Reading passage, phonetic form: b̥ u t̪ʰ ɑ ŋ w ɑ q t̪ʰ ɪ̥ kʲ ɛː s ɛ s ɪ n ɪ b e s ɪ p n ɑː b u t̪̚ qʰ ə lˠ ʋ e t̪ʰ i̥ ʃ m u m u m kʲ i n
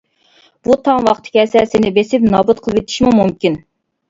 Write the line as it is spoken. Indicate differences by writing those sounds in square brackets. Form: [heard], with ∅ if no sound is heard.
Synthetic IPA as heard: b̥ u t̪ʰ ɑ ŋ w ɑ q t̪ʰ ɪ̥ kʲ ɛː s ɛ s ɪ n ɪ b e s ɪ p n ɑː b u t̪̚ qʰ ə lˠ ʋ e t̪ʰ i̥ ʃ m u m u m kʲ i n